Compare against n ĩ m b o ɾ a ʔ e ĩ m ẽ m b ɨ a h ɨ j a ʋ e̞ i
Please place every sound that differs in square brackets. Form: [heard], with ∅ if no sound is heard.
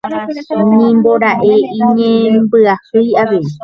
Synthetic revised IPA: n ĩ m b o ɾ a ʔ e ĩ [ɲ] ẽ m b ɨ a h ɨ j a ʋ e̞ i